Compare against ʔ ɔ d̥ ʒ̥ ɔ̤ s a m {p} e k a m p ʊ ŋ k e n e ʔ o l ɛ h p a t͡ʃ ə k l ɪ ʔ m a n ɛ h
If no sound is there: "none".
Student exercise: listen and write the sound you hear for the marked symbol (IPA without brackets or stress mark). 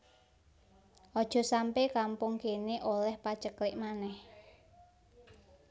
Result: p